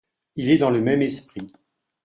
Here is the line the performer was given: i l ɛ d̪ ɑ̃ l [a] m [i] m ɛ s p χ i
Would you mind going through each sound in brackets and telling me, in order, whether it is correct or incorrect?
incorrect: ə, incorrect: ɛ

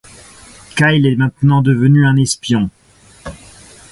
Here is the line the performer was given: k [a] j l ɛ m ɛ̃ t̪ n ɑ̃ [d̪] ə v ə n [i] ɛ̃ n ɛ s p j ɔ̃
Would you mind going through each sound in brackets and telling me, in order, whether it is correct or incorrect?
correct, correct, incorrect: y

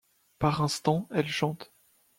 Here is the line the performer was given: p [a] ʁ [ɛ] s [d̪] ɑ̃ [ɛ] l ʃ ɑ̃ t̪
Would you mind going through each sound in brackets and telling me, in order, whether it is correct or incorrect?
correct, incorrect: ɛ̃, incorrect: t̪, correct

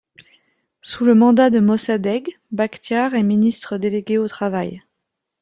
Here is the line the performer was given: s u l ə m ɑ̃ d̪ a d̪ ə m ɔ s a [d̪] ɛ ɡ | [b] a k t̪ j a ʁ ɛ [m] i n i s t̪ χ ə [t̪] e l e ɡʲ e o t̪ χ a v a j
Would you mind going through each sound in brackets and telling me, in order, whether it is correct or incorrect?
correct, correct, correct, incorrect: d̪

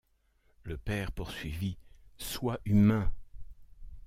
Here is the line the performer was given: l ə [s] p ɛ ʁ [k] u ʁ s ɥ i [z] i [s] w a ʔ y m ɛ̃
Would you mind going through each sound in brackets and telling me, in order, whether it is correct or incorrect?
incorrect: none, incorrect: p, incorrect: v, correct

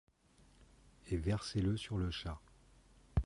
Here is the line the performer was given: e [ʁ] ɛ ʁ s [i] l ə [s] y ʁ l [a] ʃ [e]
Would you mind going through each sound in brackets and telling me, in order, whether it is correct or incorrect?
incorrect: v, incorrect: e, correct, incorrect: ə, incorrect: a

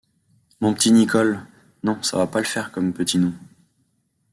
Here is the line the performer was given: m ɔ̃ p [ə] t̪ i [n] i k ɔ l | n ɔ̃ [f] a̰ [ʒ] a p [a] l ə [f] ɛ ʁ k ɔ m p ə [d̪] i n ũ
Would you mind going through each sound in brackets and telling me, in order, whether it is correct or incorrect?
correct, correct, incorrect: s, incorrect: v, correct, correct, incorrect: t̪

